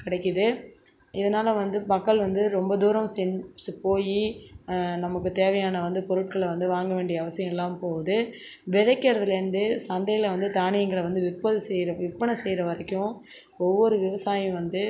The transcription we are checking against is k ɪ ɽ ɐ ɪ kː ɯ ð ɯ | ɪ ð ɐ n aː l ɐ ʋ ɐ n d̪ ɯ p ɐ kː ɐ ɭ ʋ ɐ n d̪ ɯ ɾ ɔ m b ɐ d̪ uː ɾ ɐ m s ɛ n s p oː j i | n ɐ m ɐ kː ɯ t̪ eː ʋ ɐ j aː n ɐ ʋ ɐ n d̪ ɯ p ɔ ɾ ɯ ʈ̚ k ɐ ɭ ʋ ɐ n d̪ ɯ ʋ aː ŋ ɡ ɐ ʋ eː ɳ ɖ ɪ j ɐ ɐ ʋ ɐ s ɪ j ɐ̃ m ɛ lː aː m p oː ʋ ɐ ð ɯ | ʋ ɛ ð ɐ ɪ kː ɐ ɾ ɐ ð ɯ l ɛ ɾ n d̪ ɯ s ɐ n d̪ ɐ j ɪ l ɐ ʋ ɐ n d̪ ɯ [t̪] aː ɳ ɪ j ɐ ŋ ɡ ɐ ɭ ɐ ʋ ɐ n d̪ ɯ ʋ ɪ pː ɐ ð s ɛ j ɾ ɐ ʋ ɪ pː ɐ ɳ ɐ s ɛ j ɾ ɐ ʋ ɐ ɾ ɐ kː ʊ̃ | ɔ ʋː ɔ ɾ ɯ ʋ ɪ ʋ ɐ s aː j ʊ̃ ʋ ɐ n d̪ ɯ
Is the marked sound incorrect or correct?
correct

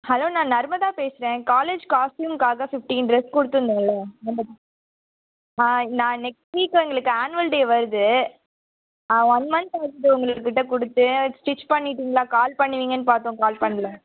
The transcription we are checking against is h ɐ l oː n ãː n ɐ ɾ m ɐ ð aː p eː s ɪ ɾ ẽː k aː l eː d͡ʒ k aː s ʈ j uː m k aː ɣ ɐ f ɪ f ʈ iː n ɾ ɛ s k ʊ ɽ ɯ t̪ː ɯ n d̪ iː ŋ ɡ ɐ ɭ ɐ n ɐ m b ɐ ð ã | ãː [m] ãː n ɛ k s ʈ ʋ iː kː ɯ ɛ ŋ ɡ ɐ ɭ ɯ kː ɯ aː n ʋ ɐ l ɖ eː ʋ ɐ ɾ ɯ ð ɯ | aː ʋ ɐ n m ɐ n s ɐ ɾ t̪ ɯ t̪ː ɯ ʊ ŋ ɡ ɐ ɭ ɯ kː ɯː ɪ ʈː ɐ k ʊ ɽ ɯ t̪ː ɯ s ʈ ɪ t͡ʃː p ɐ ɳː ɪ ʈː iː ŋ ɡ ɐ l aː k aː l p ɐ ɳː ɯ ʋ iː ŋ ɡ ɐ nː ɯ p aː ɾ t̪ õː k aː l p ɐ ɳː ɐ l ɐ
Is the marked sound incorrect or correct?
incorrect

